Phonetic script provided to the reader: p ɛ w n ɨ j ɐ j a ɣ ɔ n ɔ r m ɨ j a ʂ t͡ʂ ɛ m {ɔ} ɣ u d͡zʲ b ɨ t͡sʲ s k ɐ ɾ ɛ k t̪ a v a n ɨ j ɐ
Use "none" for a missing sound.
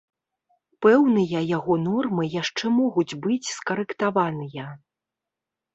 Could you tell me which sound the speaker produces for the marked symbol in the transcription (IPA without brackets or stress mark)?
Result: ɔ